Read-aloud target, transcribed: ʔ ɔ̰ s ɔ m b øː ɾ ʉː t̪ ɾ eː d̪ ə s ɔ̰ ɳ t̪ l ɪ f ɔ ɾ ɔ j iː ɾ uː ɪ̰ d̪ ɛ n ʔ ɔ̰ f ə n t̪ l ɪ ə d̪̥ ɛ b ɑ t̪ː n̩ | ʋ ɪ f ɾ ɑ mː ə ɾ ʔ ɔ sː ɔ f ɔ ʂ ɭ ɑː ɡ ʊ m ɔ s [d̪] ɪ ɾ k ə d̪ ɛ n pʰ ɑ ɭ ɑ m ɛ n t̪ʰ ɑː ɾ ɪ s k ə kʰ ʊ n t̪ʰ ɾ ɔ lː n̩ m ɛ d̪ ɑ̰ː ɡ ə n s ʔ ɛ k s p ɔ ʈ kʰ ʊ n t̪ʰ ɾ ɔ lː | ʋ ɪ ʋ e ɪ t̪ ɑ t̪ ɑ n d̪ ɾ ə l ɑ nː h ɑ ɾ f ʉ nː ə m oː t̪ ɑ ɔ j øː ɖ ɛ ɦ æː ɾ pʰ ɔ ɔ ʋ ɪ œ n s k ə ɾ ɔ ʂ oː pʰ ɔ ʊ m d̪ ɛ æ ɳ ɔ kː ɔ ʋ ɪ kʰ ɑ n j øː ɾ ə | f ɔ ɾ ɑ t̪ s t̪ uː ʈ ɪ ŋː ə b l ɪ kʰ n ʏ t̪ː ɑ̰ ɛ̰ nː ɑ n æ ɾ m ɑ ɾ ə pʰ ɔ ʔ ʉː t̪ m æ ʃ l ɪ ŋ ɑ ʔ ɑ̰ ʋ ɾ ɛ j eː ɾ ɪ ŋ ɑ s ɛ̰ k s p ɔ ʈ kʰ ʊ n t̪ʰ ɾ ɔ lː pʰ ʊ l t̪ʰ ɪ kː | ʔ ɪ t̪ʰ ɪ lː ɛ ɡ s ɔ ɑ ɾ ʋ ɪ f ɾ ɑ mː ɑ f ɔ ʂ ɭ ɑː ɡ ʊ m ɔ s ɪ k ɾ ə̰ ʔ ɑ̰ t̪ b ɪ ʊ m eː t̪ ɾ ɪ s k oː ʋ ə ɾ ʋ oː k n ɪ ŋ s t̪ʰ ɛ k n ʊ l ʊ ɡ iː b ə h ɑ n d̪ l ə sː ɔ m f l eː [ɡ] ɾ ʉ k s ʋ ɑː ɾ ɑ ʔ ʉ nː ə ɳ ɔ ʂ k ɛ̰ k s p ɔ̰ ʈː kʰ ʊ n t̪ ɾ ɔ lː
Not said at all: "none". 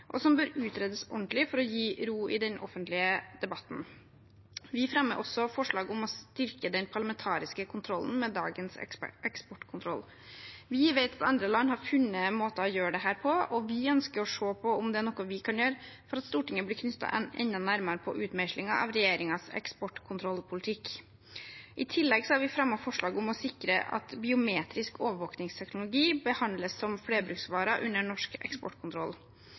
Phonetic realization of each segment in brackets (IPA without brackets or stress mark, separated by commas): t̪, b